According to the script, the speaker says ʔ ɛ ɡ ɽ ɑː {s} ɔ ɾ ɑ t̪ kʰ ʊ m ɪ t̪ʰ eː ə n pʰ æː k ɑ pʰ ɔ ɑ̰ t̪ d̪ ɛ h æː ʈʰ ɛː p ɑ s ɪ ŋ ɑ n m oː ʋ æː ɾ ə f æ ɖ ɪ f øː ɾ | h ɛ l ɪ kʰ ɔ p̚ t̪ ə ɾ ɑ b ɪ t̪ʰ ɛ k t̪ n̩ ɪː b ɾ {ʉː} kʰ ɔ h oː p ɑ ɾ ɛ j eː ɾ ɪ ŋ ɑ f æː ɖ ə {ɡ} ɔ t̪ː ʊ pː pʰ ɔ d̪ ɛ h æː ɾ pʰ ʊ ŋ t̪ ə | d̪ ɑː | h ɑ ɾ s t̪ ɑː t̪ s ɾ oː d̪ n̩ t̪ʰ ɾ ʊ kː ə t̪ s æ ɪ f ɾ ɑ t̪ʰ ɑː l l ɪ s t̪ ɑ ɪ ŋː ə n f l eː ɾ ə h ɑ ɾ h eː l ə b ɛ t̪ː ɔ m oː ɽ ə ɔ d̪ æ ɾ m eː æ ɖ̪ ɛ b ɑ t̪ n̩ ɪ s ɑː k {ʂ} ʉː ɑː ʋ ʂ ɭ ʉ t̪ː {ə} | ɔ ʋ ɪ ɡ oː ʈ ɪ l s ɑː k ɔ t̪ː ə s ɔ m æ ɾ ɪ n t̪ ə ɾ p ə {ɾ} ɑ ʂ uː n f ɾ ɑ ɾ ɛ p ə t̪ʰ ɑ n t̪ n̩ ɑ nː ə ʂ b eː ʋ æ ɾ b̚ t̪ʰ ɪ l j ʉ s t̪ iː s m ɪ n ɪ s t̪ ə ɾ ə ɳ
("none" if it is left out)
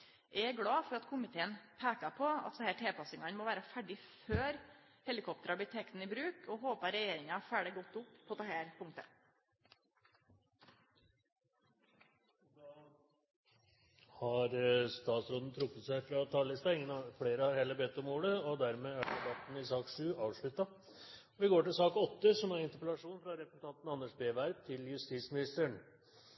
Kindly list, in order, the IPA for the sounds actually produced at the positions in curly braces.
f, ʉː, ɡ, ʂ, ɑ, l

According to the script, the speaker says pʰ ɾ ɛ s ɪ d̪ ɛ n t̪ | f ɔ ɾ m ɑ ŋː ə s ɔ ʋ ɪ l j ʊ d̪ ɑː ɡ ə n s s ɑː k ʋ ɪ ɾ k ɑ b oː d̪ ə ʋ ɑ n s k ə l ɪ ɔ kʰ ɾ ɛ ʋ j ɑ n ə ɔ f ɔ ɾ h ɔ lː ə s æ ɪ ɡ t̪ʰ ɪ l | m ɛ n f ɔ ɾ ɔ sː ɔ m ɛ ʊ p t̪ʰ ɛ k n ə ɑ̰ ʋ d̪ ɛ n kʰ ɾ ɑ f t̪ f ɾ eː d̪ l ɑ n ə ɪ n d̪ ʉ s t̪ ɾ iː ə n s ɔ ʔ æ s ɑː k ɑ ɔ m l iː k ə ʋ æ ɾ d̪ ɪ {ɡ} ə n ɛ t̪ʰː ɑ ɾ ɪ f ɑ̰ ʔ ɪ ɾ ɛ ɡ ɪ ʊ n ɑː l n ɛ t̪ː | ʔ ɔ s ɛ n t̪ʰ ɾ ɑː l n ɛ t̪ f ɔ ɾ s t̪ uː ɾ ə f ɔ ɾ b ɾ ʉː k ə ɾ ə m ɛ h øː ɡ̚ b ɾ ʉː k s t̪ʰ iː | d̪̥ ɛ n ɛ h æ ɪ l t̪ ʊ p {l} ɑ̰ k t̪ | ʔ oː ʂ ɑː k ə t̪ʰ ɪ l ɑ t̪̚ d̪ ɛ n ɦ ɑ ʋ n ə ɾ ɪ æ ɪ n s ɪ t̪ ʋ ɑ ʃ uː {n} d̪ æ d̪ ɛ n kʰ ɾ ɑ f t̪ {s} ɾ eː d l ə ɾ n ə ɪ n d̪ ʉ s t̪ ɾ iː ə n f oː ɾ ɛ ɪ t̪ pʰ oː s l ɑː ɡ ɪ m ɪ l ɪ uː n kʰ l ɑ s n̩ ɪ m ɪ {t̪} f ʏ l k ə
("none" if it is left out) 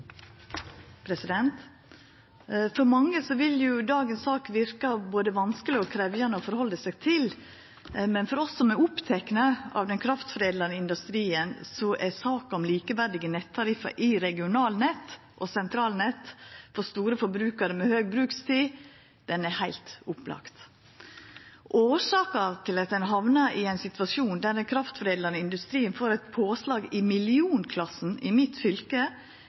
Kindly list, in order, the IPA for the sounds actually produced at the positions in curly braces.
ɡ, l, n, f, t̪

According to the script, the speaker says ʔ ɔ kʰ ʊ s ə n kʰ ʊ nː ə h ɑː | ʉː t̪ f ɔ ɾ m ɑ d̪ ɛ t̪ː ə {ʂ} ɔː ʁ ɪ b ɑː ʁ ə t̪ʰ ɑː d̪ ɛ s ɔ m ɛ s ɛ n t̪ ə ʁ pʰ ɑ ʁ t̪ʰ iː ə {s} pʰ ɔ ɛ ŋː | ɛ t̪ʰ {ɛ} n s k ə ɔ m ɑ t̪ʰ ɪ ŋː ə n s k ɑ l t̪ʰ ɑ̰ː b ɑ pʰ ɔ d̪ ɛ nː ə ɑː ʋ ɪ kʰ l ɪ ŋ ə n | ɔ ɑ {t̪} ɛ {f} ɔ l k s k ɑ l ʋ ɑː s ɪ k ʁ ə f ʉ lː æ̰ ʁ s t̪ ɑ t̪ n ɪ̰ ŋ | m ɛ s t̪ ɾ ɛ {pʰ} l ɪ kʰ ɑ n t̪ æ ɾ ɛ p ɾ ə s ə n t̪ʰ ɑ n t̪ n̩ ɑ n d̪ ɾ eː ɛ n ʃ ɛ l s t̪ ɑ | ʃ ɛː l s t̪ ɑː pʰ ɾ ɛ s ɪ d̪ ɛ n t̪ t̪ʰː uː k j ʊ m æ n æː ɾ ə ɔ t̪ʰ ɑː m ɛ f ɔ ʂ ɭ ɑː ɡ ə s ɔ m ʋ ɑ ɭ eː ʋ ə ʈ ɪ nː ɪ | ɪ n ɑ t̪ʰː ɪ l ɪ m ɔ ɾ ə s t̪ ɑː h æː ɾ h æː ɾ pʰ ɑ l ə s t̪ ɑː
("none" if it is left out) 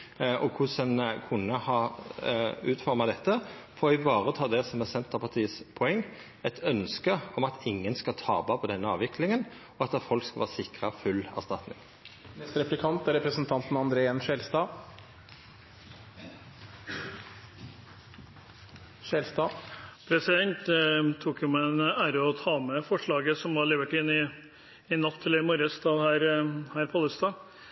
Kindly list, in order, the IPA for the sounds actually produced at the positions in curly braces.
f, s, œ, t̪, f, p

